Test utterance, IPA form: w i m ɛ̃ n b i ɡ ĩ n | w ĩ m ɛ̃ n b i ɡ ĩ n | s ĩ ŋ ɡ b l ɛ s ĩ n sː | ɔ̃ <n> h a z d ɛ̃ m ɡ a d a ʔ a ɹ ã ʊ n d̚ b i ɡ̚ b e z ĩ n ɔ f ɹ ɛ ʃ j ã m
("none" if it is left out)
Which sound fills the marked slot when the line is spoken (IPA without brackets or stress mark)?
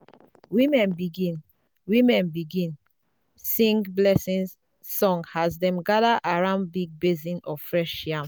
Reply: ŋ